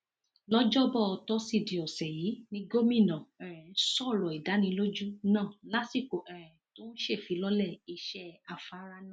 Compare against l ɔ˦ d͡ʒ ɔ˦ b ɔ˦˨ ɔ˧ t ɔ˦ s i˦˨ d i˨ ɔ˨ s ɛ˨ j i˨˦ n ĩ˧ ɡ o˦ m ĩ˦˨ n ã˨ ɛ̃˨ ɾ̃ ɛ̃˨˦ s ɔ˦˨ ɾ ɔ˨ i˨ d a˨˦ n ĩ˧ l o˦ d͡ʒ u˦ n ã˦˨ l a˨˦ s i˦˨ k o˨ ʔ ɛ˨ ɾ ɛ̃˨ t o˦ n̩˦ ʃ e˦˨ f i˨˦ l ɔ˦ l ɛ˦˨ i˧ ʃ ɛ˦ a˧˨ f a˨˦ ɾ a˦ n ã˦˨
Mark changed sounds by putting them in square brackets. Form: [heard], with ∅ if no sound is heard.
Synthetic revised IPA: l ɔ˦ d͡ʒ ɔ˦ b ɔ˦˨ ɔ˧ t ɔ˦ s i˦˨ d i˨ ɔ˨ s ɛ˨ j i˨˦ n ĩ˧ ɡ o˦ m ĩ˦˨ n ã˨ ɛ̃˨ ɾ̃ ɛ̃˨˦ s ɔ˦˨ ɾ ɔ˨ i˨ d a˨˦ n ĩ˧ l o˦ d͡ʒ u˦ n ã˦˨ l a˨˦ s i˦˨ k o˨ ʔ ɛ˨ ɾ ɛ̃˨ t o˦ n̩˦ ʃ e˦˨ f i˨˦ l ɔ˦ l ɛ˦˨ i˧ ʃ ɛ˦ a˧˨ f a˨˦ ɾ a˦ n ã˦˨